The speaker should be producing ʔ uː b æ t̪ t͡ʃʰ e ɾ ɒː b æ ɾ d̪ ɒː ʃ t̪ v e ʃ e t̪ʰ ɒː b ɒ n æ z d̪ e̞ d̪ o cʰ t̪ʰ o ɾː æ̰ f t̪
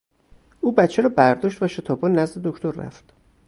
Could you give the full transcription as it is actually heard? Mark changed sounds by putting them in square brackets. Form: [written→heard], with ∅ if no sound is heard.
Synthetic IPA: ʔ uː b æ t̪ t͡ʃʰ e ɾ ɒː b æ ɾ d̪ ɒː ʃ t̪ v [e→æ] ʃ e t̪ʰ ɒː b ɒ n æ z d̪ e̞ d̪ o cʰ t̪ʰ o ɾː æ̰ f t̪

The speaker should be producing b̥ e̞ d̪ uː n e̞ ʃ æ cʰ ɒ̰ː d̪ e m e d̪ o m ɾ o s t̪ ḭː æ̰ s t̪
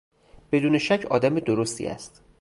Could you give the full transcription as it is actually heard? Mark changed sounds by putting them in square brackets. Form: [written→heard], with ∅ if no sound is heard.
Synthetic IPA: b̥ e̞ d̪ uː n e̞ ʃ æ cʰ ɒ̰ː d̪ [e→æ] m e d̪ o [m→∅] ɾ o s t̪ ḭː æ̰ s t̪

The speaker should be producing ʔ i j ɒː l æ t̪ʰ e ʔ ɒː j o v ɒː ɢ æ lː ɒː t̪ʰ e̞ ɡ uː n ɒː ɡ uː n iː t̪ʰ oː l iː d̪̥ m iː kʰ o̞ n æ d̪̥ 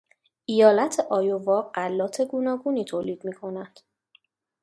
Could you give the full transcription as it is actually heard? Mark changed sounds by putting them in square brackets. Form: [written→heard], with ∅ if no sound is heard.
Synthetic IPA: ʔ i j ɒː l æ t̪ʰ e ʔ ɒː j o v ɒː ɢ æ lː ɒː t̪ʰ e̞ ɡ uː n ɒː ɡ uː n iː t̪ʰ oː l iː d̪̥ m iː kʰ o̞ n æ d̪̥

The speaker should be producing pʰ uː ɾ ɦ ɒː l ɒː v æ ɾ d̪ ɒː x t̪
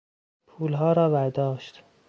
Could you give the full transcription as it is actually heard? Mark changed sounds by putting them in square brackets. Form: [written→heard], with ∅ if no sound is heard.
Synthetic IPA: pʰ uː [ɾ→l] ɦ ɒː [l→ɾ] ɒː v æ ɾ d̪ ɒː [x→ʃ] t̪

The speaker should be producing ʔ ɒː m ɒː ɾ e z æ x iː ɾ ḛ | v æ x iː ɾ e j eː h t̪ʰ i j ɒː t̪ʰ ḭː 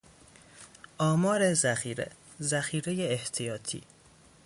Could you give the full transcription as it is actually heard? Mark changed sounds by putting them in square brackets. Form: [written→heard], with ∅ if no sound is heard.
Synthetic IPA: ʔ ɒː m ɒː ɾ e z æ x iː ɾ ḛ | [v→z] æ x iː ɾ e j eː h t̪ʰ i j ɒː t̪ʰ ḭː

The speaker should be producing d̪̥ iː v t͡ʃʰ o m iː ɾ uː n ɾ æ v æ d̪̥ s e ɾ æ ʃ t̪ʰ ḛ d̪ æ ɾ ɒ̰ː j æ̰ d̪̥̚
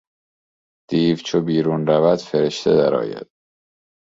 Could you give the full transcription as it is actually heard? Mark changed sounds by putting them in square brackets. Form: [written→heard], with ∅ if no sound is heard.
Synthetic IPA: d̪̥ iː v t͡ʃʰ o [m→b] iː ɾ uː n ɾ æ v æ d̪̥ [s→f] e ɾ [æ→e] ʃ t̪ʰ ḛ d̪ æ ɾ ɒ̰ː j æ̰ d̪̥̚

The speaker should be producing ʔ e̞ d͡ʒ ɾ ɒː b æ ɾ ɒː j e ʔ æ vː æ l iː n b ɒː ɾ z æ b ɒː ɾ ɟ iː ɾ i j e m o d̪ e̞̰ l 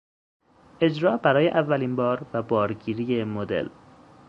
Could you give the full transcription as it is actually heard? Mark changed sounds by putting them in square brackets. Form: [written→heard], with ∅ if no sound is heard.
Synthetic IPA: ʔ e̞ d͡ʒ ɾ ɒː b æ ɾ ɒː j e ʔ æ vː æ l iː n b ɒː ɾ [z→v] æ b ɒː ɾ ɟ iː ɾ i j e m o d̪ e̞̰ l

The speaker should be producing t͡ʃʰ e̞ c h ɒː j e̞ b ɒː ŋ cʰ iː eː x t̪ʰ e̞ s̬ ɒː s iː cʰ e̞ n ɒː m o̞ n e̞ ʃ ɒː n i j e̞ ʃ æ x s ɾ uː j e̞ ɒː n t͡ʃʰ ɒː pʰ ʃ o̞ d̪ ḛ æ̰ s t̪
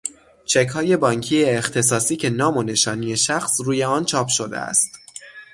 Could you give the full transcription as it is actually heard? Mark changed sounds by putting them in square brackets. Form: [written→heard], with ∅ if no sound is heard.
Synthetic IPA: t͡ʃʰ e̞ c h ɒː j e̞ b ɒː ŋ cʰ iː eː x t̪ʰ e̞ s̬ ɒː s iː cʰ e̞ n ɒː m o̞ n e̞ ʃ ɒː n i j e̞ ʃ æ x s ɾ uː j e̞ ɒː n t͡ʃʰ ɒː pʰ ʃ o̞ d̪ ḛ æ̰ s t̪

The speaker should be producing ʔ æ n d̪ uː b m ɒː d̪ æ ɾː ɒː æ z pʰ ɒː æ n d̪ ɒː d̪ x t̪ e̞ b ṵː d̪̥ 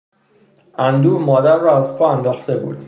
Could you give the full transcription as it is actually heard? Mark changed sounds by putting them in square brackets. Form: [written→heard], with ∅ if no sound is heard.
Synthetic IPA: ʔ æ n d̪ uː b m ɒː d̪ æ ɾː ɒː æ z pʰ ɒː æ n d̪ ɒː [d̪→∅] x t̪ e̞ b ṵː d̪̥

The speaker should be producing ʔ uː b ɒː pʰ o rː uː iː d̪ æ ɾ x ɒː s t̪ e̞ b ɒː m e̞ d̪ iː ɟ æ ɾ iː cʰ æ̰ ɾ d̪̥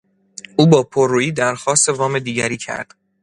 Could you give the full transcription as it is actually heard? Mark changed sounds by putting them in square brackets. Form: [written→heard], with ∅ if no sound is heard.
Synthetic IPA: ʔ uː b ɒː pʰ o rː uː iː d̪ æ ɾ x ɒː s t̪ e̞ [b→v] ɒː m e̞ d̪ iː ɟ æ ɾ iː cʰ æ̰ ɾ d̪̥

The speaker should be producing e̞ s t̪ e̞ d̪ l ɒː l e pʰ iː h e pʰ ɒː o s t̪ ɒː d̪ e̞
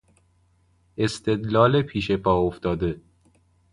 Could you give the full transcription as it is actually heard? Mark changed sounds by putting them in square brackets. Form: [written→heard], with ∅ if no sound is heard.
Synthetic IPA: e̞ s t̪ e̞ d̪ l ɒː l e pʰ iː [h→ʃ] e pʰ ɒː o [s→f] t̪ ɒː d̪ e̞

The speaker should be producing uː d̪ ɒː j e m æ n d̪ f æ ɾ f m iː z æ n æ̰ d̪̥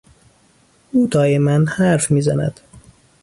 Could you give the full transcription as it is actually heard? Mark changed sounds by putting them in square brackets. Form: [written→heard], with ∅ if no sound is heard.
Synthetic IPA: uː d̪ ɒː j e m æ n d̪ [f→h] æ ɾ f m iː z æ n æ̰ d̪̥

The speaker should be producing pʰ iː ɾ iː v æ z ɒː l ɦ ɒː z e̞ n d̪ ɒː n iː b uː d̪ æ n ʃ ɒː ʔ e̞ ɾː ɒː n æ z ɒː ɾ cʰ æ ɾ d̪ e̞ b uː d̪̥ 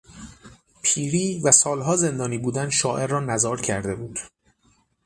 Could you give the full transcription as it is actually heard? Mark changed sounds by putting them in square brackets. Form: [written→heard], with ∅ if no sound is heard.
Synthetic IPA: pʰ iː ɾ iː v æ [z→s] ɒː l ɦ ɒː z e̞ n d̪ ɒː n iː b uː d̪ æ n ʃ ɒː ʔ e̞ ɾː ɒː n æ z ɒː ɾ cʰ æ ɾ d̪ e̞ b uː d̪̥

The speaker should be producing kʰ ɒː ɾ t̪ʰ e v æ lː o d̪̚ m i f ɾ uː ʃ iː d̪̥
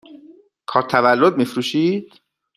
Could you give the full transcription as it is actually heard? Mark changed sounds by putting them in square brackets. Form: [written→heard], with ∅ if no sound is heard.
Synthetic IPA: kʰ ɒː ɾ t̪ʰ [e→æ] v æ lː o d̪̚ m i f ɾ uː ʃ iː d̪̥

